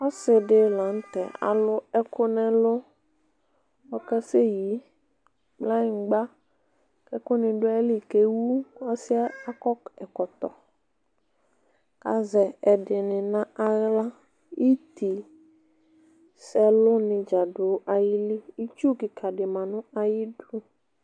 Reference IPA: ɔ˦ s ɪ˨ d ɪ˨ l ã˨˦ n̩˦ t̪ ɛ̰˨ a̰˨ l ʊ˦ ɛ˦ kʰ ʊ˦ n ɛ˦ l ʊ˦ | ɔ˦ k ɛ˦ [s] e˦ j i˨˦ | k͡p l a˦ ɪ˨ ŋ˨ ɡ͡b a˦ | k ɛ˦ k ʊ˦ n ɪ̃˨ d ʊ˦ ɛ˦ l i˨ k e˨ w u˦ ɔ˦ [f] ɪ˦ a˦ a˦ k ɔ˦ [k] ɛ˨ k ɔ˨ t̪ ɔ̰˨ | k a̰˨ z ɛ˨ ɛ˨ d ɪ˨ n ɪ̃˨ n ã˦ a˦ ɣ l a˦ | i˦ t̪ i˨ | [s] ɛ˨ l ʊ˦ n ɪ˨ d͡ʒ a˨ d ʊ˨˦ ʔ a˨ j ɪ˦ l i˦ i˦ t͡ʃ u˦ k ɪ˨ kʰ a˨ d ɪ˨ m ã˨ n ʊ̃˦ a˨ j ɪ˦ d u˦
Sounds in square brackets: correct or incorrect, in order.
correct, incorrect: s, correct, correct

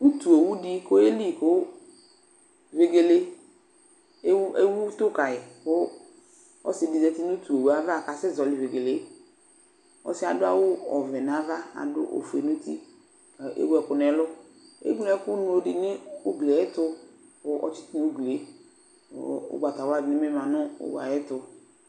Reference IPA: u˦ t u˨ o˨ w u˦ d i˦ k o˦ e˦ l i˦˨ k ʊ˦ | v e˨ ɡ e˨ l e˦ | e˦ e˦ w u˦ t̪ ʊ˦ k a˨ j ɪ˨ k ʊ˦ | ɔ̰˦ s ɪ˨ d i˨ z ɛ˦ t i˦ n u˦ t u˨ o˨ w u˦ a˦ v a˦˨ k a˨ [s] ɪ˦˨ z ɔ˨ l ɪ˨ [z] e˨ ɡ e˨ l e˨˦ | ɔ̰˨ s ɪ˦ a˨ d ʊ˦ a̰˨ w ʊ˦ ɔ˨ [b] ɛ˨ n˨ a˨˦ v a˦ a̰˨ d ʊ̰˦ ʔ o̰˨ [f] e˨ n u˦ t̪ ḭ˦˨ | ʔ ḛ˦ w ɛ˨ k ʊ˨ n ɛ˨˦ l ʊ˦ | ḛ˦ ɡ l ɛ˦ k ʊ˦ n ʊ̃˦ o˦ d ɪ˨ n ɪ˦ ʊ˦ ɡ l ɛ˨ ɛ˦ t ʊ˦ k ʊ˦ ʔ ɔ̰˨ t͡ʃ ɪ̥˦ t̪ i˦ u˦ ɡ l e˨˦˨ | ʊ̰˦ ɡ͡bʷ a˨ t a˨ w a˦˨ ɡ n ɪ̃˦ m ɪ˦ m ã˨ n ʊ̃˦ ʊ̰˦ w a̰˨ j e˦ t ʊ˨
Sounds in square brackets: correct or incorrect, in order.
correct, incorrect: v, incorrect: v, correct

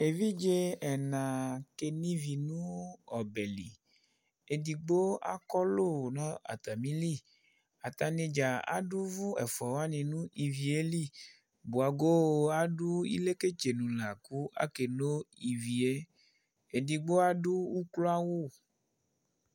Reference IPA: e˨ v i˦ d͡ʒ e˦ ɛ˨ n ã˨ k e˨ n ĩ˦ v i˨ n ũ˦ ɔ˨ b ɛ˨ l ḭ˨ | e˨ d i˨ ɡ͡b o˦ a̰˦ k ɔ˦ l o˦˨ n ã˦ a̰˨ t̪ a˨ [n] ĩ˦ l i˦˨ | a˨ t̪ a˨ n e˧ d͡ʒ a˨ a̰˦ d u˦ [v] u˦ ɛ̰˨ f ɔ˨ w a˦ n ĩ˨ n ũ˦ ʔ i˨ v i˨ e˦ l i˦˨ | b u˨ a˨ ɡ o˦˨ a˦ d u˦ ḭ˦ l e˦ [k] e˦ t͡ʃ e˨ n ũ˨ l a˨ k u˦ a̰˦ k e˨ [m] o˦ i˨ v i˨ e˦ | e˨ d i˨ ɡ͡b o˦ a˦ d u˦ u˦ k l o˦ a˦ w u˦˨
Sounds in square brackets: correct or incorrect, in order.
incorrect: m, correct, correct, incorrect: n

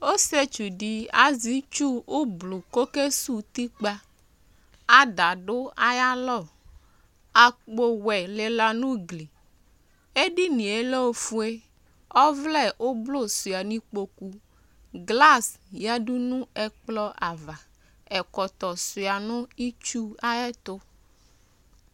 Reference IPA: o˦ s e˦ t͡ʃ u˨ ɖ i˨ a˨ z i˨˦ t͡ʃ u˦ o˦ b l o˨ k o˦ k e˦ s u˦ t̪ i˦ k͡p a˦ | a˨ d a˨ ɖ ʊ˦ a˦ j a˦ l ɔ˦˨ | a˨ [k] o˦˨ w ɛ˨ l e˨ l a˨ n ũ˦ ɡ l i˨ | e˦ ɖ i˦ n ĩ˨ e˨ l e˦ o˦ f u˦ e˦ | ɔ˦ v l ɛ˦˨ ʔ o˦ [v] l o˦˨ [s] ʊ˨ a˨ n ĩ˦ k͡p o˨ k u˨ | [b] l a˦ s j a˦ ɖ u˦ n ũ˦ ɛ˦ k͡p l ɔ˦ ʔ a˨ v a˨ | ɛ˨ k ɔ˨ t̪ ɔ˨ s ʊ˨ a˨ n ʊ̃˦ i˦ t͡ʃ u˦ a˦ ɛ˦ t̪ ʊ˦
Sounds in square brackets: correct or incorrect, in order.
incorrect: k͡p, incorrect: b, correct, incorrect: ɡ

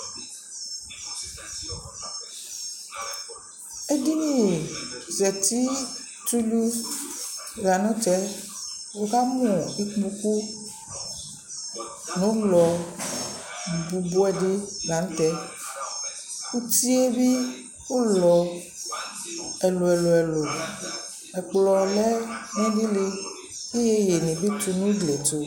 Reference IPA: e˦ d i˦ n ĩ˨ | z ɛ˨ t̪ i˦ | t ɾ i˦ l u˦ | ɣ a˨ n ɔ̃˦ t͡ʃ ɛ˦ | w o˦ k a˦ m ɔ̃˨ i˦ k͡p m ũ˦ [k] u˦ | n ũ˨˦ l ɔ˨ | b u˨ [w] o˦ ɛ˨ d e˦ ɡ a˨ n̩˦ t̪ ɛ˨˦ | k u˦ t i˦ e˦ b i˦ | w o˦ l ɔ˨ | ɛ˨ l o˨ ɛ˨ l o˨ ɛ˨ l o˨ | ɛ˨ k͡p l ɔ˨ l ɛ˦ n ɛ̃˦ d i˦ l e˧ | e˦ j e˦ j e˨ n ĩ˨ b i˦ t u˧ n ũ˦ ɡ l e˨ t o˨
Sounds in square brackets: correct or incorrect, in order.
correct, incorrect: b

